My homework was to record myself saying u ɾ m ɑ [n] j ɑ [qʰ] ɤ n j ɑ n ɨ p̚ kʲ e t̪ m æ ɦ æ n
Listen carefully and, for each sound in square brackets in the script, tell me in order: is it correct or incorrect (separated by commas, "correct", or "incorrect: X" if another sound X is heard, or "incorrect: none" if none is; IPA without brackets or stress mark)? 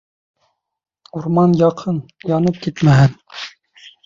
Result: correct, correct